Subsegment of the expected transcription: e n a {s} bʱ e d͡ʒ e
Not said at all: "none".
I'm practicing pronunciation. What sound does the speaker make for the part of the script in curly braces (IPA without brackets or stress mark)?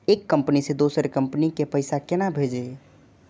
none